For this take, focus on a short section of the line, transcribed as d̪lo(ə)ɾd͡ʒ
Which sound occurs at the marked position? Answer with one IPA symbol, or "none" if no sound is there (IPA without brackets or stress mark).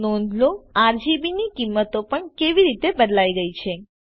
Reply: a